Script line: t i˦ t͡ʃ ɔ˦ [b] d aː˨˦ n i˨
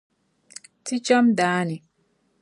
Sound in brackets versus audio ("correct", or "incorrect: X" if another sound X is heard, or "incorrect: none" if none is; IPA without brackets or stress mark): incorrect: m